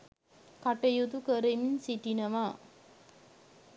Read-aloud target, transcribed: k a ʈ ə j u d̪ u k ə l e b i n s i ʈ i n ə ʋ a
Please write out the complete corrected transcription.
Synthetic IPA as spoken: k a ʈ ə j u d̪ u k ə ɾ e m i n s i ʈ i n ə ʋ a